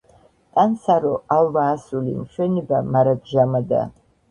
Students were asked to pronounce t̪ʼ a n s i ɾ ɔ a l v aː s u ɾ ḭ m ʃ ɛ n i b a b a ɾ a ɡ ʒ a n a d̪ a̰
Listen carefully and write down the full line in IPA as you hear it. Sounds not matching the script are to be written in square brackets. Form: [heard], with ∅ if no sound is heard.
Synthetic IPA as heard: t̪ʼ a n s [a] ɾ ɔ a l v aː s u [l] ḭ m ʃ ɛ n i b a [m] a ɾ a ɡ ʒ a [m] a d̪ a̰